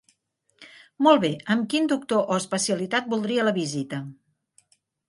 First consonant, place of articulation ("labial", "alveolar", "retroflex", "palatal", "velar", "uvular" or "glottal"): labial